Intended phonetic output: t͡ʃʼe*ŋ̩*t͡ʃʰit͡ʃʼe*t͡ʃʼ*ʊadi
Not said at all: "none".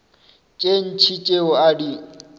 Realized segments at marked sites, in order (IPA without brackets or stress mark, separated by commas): n̩, none